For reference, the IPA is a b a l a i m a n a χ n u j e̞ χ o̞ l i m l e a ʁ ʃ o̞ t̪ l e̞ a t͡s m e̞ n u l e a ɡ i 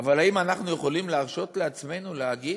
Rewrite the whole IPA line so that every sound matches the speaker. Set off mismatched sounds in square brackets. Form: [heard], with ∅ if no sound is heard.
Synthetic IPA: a [v] a l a i m a n a χ n u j e̞ χ o̞ l i m l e a ʁ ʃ o̞ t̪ l e̞ a t͡s m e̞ n u l e a ɡ i

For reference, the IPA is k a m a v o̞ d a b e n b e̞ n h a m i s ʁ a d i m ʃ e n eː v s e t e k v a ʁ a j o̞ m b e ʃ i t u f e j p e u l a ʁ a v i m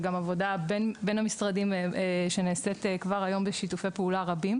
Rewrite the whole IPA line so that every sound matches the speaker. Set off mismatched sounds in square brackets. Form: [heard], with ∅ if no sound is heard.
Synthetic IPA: [ɡ] a m a v o̞ d a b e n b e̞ n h a m i s ʁ a d i m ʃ e n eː [∅] s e t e k v a ʁ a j o̞ m b e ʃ i t u f e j p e u l a ʁ a [b] i m

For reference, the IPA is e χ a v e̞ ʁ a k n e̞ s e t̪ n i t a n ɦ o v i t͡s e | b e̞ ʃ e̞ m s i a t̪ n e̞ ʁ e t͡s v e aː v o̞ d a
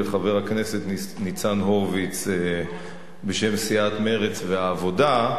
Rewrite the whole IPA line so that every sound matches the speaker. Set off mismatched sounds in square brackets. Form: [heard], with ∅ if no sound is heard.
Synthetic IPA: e χ a v e̞ ʁ a k n e̞ s e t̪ n i [t͡s] a n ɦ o v i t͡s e | b e̞ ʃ e̞ m s i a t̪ [m] e̞ ʁ e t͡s v e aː v o̞ d a

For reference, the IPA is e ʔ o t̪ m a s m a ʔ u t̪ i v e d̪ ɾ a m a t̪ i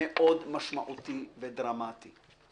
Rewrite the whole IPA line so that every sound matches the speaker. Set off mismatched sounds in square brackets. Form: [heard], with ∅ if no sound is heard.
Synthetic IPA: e ʔ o [d̪] m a [ʃ] m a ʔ u t̪ i v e d̪ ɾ a m a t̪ i

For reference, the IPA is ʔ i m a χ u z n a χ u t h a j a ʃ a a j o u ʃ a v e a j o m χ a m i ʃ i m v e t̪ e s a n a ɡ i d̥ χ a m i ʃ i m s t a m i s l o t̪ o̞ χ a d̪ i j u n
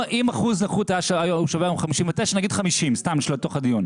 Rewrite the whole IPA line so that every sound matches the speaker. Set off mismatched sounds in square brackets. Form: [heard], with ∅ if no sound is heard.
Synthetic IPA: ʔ i m a χ u z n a χ u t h a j a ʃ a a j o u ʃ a v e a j o m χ a m i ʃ i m v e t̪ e [ʃ] a n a ɡ i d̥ χ a m i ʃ i m s t a m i [ʃ] l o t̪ o̞ χ a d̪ i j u n

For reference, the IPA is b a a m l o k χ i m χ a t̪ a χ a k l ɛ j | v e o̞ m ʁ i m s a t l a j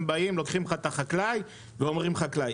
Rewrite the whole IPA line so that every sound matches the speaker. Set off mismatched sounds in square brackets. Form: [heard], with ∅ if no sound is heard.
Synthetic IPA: b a [i] m l o k χ i m χ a t̪ a χ a k l [a] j | v e o̞ m ʁ i m [χ] a [k] l a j

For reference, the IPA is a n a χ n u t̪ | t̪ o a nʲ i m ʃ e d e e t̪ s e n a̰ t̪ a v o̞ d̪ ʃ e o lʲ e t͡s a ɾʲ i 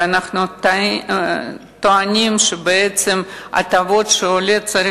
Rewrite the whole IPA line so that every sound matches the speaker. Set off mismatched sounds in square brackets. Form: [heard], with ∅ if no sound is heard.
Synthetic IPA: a n a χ n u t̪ | t̪ o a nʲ i m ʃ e [b] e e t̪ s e [m] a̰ t̪ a v o̞ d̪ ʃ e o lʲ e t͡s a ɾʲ i

